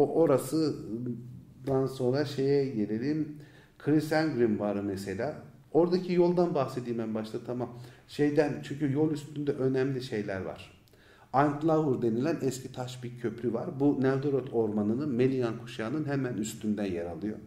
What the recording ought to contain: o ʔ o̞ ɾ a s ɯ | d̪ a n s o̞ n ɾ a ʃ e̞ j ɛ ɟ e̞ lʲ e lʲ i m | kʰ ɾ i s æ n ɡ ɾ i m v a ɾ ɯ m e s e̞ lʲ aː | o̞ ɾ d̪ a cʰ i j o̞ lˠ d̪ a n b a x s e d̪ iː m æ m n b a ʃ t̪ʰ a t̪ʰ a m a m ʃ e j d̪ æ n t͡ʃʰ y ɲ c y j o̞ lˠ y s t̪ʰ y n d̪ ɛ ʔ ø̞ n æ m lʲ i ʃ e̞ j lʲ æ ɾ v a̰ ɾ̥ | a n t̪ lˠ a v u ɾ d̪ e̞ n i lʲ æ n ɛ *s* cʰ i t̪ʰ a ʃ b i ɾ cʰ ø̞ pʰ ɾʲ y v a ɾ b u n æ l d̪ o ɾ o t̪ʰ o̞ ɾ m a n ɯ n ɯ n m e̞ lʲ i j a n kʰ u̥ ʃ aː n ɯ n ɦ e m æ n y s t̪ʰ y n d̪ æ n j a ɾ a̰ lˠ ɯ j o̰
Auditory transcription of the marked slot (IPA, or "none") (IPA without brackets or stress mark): s